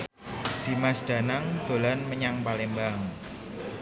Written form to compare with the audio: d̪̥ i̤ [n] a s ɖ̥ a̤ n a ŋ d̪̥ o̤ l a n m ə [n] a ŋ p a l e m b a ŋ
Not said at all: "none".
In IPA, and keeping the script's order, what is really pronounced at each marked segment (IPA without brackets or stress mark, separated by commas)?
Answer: m, ɲ